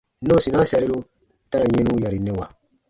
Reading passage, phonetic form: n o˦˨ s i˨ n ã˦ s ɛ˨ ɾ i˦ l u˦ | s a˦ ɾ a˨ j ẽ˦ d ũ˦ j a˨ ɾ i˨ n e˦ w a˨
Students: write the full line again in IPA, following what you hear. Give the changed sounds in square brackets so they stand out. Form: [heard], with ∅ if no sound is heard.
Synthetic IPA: n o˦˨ s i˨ n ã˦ s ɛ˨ ɾ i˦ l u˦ | [t] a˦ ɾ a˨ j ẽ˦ [n] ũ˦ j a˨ ɾ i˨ n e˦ w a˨